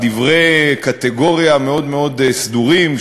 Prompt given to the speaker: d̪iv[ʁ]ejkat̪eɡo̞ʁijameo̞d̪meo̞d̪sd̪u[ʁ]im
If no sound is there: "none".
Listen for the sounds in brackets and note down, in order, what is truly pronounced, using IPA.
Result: ʁ, ʁ

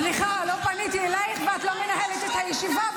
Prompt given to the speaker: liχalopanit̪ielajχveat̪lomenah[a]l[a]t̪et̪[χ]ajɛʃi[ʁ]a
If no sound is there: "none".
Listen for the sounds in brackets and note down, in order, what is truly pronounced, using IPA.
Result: e, e, h, v

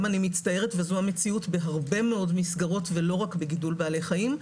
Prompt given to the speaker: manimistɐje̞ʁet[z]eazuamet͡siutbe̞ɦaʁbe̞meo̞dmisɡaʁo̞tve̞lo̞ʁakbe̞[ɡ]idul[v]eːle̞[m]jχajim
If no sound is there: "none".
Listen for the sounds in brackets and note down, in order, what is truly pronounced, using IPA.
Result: v, ɡ, b, none

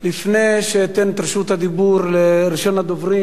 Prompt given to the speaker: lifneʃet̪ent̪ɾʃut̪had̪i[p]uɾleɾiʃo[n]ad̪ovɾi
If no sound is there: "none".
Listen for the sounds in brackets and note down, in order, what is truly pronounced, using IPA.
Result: b, n

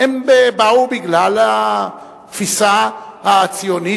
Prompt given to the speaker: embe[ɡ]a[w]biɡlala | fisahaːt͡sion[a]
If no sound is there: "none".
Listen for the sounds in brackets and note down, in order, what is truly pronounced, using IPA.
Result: b, w, i

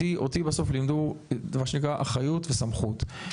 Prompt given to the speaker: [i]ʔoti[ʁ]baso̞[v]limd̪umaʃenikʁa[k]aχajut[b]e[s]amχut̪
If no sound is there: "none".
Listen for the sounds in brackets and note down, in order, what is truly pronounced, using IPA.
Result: i, none, f, ʔ, v, s

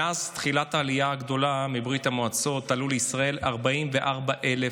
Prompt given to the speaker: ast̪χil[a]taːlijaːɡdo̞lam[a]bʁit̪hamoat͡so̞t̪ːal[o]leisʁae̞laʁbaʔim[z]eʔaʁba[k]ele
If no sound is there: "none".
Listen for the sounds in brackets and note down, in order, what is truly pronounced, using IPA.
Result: a, i, u, v, ʔ

